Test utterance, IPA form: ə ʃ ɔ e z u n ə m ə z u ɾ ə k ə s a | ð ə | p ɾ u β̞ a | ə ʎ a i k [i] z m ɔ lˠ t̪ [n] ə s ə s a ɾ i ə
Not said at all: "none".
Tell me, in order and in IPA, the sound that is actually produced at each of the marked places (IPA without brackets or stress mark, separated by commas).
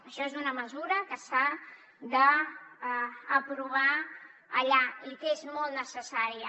e, n